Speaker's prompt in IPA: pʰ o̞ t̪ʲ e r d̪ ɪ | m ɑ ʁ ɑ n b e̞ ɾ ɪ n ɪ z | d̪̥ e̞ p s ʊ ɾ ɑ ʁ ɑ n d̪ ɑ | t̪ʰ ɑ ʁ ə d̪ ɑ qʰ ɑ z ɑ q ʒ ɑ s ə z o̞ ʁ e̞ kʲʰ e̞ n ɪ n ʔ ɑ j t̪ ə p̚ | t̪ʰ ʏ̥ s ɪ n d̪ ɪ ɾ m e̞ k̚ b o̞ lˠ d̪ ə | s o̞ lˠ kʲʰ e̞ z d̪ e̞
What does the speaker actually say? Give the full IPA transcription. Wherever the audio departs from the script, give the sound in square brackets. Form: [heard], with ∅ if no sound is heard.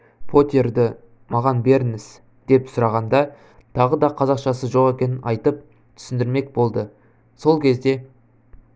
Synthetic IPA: pʰ o̞ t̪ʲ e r d̪ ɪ | m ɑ ʁ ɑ n b e̞ ɾ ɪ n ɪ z | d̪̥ e̞ p s ʊ ɾ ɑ ʁ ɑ n d̪ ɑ | t̪ʰ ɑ ʁ ə d̪ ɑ qʰ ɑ z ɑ q [ʃ] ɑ s ə [ʒ] o̞ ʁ e̞ [kʲ] e̞ n ɪ n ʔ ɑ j t̪ ə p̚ | t̪ʰ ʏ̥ s ɪ n d̪ ɪ ɾ m e̞ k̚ b o̞ lˠ d̪ ə | s o̞ lˠ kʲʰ e̞ z d̪ e̞